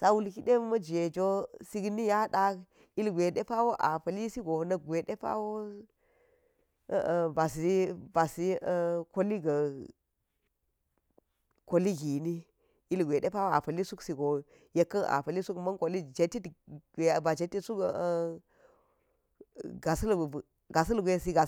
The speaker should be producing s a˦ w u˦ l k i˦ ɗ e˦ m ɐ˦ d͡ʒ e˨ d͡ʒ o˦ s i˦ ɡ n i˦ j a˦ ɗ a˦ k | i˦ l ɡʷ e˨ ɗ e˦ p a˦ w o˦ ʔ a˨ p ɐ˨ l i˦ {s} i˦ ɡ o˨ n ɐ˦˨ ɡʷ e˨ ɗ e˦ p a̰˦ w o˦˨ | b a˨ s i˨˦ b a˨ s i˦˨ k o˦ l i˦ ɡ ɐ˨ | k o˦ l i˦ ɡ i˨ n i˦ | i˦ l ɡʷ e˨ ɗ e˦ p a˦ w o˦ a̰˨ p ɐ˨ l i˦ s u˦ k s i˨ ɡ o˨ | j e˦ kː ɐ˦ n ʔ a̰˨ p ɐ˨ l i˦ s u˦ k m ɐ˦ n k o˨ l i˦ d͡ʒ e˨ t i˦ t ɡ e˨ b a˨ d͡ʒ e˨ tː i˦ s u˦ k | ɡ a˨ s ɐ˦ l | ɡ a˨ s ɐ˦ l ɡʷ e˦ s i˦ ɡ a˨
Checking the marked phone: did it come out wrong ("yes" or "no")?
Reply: no